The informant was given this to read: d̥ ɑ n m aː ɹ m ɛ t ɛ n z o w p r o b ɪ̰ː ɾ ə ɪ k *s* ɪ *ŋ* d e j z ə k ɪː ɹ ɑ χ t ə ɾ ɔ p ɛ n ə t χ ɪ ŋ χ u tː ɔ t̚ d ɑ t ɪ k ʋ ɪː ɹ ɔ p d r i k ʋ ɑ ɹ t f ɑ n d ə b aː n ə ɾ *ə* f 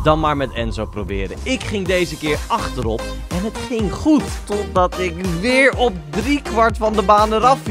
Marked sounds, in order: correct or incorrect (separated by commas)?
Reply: incorrect, correct, incorrect